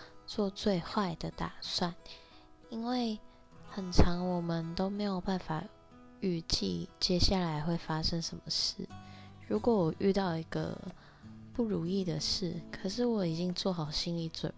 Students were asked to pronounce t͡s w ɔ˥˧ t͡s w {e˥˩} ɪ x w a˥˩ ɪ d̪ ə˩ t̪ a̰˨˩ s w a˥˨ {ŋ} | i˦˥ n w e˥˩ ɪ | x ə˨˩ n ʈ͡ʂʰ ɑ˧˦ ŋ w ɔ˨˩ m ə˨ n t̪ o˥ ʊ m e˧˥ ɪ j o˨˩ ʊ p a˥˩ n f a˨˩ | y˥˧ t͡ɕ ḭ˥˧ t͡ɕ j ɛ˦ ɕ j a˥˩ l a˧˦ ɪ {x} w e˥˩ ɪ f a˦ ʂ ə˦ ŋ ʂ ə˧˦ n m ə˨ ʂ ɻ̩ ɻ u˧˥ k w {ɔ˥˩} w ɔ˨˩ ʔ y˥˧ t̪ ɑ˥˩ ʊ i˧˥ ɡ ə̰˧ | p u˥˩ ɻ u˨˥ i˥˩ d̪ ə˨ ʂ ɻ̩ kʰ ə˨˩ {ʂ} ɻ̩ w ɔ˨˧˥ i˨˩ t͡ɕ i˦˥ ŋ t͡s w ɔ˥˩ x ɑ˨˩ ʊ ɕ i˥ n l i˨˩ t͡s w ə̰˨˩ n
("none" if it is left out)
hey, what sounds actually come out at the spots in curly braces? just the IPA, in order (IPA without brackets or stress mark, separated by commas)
e˥˧, n, x, ɔ˧˦, ʂ